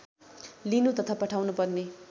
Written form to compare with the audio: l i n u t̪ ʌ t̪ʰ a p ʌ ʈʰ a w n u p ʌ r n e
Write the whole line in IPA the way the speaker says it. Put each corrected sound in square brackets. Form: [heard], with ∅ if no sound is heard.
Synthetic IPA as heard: l i n u t̪ ʌ t̪ʰ a p ʌ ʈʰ a w n u p ʌ r n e